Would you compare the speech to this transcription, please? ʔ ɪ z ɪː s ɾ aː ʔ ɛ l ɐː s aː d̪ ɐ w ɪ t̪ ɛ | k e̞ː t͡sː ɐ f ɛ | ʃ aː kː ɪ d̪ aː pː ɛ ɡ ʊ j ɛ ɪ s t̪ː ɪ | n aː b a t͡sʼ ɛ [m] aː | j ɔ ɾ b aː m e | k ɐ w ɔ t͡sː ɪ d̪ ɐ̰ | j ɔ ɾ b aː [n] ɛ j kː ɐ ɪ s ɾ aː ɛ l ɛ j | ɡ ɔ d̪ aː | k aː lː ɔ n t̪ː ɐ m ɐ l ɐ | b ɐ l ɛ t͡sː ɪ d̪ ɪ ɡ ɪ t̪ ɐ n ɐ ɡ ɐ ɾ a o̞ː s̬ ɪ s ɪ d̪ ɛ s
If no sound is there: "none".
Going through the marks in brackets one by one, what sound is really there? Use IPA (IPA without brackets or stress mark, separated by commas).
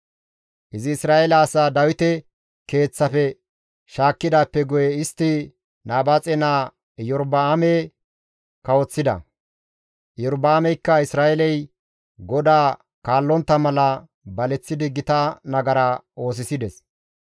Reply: n, m